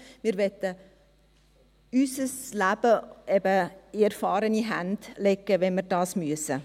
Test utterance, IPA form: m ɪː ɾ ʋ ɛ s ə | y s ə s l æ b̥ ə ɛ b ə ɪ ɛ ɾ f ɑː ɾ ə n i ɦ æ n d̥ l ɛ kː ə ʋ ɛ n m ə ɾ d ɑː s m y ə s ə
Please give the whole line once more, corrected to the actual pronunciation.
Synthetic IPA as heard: m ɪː ɾ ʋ ɛ t ə | y s ə s l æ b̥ ə ɛ b ə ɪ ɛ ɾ f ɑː ɾ ə n i ɦ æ n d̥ l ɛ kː ə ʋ ɛ n m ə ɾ d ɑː s m y ə s ə